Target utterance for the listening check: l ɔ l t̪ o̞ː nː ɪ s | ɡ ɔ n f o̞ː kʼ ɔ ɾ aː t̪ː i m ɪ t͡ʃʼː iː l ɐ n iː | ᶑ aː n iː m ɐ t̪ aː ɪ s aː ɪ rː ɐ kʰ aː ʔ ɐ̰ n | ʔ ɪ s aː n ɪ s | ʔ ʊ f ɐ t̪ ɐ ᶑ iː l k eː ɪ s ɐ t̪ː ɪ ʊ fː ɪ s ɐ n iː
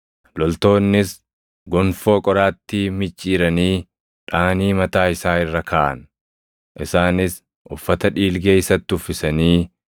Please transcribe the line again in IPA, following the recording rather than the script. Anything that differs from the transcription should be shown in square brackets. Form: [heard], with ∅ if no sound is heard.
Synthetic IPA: l ɔ l t̪ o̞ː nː ɪ s | ɡ ɔ n f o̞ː kʼ ɔ ɾ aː t̪ː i m ɪ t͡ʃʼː iː [ɾ] ɐ n iː | ᶑ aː n iː m ɐ t̪ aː ɪ s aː ɪ rː ɐ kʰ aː ʔ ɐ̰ n | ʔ ɪ s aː n ɪ s | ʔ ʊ [fː] ɐ t̪ ɐ ᶑ iː l [ɡ] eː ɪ s ɐ t̪ː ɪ ʊ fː ɪ s ɐ n iː

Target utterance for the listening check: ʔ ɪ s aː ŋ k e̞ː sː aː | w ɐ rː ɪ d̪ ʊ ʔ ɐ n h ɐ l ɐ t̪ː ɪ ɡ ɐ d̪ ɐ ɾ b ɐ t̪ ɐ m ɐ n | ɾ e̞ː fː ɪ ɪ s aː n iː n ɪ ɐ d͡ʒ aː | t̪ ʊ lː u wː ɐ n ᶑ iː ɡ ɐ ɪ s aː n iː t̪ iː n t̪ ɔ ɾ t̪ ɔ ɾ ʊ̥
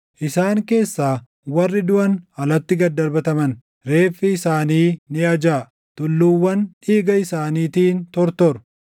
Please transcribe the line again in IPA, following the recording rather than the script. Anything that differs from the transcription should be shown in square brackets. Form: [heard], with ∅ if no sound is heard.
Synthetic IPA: ʔ ɪ s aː ŋ k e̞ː sː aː | w ɐ rː ɪ d̪ ʊ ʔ ɐ n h ɐ l ɐ t̪ː ɪ ɡ ɐ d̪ ɐ ɾ b ɐ t̪ ɐ m ɐ n | ɾ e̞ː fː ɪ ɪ s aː n iː n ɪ ɐ d͡ʒ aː | t̪ ʊ lː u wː ɐ n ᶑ iː ɡ ɐ ɪ s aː n iː t̪ iː n t̪ ɔ ɾ t̪ ɔ ɾ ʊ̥

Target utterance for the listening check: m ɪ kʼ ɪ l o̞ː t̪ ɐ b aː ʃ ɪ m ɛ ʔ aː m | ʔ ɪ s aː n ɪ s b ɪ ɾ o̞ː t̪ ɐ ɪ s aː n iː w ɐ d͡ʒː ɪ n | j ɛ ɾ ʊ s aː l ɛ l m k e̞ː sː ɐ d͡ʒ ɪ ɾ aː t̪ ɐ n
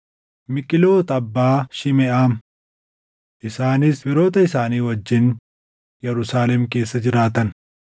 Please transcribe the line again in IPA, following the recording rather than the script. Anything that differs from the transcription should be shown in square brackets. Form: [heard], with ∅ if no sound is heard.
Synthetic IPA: m ɪ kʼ ɪ l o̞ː t̪ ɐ [bː] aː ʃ ɪ m ɛ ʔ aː m | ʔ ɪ s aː n ɪ s b ɪ ɾ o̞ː t̪ ɐ ɪ s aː n iː w ɐ d͡ʒː ɪ n | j ɛ ɾ ʊ s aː l ɛ [∅] m k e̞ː sː ɐ d͡ʒ ɪ ɾ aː t̪ ɐ n

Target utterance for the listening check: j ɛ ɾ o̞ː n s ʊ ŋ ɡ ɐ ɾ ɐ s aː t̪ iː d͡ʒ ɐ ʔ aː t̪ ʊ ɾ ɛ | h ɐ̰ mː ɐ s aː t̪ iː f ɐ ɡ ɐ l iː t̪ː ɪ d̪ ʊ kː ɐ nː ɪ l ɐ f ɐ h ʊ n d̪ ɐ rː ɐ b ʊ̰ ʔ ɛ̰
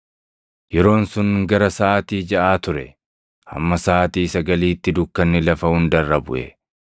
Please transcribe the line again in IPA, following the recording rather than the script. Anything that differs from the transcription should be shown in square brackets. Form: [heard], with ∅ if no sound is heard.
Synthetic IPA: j ɛ ɾ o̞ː n s ʊ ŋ ɡ ɐ ɾ ɐ s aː t̪ iː d͡ʒ ɐ ʔ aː t̪ ʊ ɾ ɛ | h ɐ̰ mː ɐ s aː t̪ iː [s] ɐ ɡ ɐ l iː t̪ː ɪ d̪ ʊ kː ɐ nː ɪ l ɐ f ɐ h ʊ n d̪ ɐ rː ɐ b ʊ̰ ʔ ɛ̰

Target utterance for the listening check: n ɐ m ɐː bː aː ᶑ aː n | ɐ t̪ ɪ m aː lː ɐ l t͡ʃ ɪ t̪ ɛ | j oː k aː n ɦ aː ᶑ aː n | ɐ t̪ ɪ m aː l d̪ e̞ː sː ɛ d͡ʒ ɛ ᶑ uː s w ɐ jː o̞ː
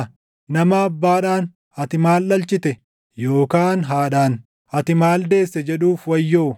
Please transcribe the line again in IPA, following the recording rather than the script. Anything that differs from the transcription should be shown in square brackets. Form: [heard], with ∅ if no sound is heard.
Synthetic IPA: n ɐ m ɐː bː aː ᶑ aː n | ɐ t̪ ɪ m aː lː ɐ l t͡ʃ ɪ t̪ ɛ | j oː k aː n ɦ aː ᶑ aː n | ɐ t̪ ɪ m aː l d̪ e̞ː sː ɛ d͡ʒ ɛ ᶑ uː [f] w ɐ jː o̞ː

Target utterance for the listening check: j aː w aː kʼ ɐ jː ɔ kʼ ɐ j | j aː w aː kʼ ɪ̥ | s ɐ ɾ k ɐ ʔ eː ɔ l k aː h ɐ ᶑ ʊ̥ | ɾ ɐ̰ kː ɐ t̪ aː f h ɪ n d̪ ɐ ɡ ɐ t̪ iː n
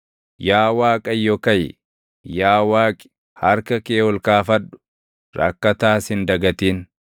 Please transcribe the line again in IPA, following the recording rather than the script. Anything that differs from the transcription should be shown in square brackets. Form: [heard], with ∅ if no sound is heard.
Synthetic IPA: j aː w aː kʼ ɐ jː ɔ [k] ɐ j | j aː w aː kʼ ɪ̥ | [h] ɐ ɾ k ɐ [k] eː ɔ l k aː [f] ɐ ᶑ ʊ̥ | ɾ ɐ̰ kː ɐ t̪ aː [s] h ɪ n d̪ ɐ ɡ ɐ t̪ iː n

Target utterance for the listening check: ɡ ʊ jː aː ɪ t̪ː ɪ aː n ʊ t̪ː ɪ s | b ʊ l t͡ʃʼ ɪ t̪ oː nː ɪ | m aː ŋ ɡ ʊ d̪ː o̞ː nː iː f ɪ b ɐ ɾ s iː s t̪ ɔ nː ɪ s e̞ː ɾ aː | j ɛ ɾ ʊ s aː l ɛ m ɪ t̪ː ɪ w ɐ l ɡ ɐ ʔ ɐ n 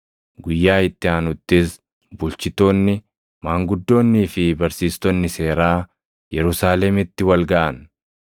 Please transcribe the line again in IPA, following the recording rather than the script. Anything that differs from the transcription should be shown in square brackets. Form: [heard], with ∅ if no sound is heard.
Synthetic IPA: ɡ ʊ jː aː ɪ t̪ː ɪ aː n ʊ t̪ː ɪ s | b ʊ l [t͡ʃ] ɪ t̪ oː nː ɪ | m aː ŋ ɡ ʊ d̪ː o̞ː nː iː f ɪ b ɐ ɾ s iː s t̪ ɔ nː ɪ s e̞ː ɾ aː | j ɛ ɾ ʊ s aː l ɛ m ɪ t̪ː ɪ w ɐ l ɡ ɐ ʔ ɐ n

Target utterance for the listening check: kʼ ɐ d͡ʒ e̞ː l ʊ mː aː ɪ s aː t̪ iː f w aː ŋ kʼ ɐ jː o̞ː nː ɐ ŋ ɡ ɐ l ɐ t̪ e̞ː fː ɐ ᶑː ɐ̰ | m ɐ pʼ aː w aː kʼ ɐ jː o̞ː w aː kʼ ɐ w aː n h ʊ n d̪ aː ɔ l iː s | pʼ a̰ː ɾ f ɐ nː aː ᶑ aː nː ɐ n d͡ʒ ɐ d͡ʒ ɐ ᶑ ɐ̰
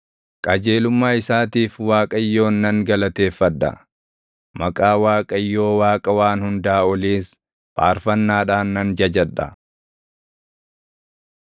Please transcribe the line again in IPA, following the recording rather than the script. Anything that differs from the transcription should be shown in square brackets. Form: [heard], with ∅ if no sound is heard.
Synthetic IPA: kʼ ɐ d͡ʒ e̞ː l ʊ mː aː ɪ s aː t̪ iː f w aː [∅] kʼ ɐ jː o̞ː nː ɐ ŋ ɡ ɐ l ɐ t̪ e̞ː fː ɐ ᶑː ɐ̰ | m ɐ [kʼ] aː w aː kʼ ɐ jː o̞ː w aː kʼ ɐ w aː n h ʊ n d̪ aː ɔ l iː s | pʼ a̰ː ɾ f ɐ nː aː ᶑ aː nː ɐ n d͡ʒ ɐ d͡ʒ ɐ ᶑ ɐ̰

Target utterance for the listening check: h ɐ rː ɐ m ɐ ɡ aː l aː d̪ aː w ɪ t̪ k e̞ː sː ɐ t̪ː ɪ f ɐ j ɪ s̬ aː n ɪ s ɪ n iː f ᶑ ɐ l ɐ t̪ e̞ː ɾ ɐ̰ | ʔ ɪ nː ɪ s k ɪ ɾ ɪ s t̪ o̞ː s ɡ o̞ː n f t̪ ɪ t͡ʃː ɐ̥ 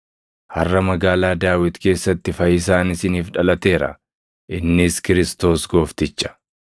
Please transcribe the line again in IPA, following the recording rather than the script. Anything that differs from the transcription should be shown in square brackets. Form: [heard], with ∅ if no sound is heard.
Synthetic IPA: h ɐ rː ɐ m ɐ ɡ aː l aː d̪ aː w ɪ t̪ k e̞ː sː ɐ t̪ː ɪ f ɐ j ɪ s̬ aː n ɪ s ɪ n iː f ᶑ ɐ l ɐ t̪ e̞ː ɾ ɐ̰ | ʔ ɪ nː ɪ s k ɪ ɾ ɪ s t̪ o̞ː s ɡ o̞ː [∅] f t̪ ɪ t͡ʃː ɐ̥

